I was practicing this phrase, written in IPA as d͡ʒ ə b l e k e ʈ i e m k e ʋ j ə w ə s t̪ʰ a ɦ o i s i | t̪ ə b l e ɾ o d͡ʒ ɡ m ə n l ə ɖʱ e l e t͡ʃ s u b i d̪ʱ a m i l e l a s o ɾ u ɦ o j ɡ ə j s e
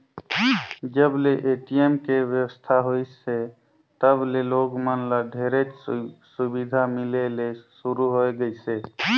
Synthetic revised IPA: d͡ʒ ə b l e ʔ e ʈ i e m k e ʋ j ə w ə s t̪ʰ a ɦ o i s e | t̪ ə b l e l o ɡ m ə n l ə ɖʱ e ɾ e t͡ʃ s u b i d̪ʱ a m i l e l e s u ɾ u ɦ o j ɡ ə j s e